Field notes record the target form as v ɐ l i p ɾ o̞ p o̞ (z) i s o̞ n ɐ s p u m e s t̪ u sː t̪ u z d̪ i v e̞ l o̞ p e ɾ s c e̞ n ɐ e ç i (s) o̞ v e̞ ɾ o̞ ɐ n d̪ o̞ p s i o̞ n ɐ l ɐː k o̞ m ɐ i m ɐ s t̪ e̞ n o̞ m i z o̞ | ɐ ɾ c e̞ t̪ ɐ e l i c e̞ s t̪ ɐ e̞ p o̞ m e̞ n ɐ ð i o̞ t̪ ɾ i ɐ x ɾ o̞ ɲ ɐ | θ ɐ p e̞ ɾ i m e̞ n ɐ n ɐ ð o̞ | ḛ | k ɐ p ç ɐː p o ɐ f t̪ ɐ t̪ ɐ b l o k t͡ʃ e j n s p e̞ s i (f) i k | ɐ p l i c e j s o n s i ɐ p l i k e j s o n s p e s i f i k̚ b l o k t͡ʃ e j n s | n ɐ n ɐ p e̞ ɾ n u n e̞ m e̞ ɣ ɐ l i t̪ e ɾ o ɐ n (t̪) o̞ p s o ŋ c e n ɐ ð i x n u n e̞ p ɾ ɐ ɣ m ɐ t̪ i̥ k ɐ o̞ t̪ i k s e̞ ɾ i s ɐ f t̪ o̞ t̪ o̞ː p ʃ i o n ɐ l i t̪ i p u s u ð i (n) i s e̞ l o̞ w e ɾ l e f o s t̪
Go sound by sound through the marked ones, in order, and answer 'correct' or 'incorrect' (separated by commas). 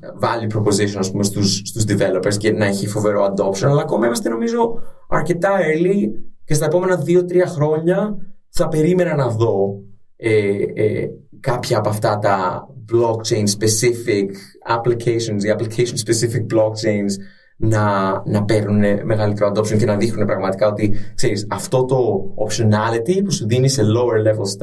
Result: correct, incorrect, correct, incorrect, correct